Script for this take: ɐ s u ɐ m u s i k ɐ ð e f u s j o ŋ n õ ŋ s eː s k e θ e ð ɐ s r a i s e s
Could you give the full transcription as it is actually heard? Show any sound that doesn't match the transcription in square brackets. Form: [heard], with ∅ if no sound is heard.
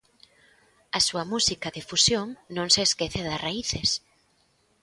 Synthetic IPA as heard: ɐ s u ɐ m u s i k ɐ ð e f u s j o ŋ n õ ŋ s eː s k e θ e ð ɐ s r a i [θ] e s